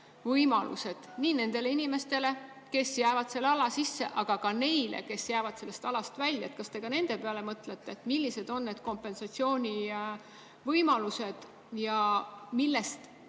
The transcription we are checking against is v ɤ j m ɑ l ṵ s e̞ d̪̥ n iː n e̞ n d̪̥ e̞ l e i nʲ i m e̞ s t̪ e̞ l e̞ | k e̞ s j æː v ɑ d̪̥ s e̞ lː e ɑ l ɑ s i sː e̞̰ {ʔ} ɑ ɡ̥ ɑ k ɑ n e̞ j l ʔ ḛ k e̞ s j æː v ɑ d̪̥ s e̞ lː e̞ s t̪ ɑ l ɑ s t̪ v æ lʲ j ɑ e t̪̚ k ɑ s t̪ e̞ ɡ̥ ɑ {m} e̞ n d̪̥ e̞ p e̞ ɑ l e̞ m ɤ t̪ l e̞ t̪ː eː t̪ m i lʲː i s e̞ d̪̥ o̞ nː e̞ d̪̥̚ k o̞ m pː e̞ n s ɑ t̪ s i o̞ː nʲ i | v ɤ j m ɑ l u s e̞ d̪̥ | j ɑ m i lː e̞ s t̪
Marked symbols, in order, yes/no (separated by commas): yes, no